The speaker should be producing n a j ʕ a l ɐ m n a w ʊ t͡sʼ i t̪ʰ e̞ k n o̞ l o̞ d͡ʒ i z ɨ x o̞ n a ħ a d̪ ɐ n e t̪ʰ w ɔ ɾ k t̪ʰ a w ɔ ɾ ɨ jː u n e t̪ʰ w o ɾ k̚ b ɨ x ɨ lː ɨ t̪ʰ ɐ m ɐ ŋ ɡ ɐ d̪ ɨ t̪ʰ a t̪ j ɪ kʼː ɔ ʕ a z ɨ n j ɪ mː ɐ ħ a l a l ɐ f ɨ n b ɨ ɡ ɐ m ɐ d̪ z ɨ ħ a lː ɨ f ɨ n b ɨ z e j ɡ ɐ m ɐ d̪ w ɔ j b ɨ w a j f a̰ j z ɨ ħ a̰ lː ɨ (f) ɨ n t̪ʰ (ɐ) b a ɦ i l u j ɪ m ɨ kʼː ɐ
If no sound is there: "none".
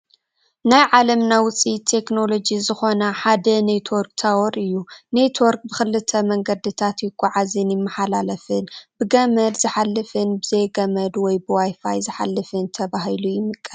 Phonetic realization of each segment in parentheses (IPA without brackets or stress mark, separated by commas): f, ɐ